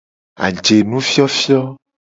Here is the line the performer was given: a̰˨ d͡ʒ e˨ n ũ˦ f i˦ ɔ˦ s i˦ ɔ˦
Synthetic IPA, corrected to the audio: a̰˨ d͡ʒ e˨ n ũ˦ f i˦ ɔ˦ f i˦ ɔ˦